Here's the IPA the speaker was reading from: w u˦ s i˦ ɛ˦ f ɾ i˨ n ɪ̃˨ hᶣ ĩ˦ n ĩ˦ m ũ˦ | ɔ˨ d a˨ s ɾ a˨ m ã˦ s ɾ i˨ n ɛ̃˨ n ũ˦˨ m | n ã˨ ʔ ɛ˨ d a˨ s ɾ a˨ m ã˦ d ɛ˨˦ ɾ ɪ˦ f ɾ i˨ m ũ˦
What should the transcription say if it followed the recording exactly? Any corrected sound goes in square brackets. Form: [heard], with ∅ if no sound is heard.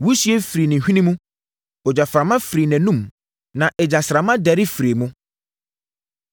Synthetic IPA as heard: w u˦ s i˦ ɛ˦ f ɾ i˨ n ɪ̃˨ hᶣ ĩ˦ n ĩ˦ m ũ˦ | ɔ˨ [d͡ʑ] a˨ [f] ɾ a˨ m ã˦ [f] ɾ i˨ n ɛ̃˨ n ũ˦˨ m | n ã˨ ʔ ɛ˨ [d͡ʑ] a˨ s ɾ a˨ m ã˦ d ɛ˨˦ ɾ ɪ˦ f ɾ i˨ m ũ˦